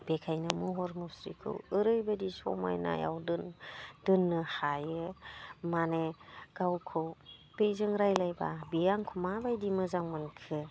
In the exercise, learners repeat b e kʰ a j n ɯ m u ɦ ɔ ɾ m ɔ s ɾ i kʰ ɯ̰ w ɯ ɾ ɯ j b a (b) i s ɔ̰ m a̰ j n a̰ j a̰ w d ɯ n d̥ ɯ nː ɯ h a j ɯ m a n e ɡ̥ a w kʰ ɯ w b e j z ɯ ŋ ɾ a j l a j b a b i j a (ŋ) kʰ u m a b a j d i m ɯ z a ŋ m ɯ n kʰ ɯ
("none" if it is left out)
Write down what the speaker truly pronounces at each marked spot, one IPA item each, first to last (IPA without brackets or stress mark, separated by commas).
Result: d, ŋ